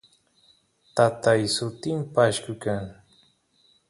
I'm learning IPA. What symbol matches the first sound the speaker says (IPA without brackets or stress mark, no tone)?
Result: t̪